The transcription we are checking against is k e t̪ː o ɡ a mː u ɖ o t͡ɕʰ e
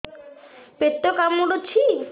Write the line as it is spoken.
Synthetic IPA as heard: p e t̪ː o k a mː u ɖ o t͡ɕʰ i